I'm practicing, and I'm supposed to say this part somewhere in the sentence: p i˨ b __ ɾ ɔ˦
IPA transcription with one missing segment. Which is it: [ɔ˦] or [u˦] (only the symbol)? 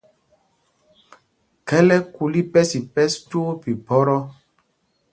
ɔ˦